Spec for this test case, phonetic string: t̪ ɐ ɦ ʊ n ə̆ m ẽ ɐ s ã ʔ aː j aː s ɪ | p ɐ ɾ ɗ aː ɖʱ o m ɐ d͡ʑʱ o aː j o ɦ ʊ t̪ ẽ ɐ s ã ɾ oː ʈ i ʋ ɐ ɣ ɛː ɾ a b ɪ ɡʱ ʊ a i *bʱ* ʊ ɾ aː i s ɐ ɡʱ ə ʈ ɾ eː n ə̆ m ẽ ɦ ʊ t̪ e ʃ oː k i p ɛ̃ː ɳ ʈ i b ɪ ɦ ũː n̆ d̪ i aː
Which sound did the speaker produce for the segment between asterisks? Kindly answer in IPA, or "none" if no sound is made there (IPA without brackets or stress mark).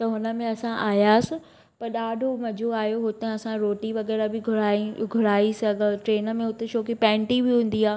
ɡʱ